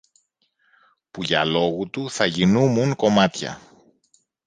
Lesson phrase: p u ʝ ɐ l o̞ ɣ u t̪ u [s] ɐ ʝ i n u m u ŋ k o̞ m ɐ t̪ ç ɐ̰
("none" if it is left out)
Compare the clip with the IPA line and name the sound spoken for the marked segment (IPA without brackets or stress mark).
θ